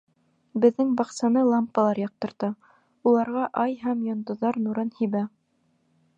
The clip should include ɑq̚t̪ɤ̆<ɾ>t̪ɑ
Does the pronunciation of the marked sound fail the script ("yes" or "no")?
no